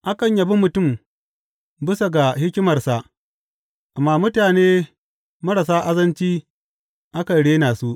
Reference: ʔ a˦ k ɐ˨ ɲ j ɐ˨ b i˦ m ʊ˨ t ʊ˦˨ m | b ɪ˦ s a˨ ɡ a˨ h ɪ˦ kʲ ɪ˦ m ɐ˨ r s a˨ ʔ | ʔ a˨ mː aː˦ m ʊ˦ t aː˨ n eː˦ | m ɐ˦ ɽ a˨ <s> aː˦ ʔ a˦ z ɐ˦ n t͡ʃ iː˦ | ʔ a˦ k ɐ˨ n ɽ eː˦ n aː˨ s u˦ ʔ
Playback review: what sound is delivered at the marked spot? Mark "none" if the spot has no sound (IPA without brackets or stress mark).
s